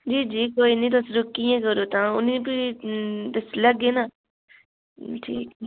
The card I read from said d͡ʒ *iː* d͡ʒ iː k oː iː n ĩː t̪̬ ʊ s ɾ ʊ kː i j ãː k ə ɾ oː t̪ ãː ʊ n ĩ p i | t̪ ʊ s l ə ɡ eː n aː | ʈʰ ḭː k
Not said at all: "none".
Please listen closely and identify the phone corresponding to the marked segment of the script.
iː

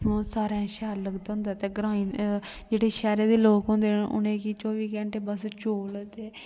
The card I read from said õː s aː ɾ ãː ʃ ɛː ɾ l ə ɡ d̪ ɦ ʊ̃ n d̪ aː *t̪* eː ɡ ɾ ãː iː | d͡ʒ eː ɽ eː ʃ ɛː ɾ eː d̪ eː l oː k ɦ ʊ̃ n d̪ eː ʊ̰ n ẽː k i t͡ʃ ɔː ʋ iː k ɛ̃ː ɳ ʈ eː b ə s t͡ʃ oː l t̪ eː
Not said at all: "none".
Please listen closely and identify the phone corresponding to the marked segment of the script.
t̪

